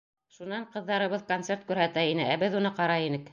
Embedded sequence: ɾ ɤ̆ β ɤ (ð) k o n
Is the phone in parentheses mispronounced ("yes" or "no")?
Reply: no